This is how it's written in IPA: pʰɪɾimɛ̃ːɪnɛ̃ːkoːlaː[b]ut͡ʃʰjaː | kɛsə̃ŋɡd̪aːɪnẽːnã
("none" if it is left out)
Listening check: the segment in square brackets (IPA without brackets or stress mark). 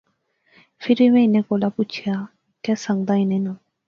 p